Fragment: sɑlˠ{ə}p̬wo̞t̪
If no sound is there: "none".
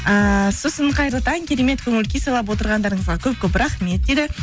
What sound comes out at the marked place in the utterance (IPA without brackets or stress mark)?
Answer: ɑ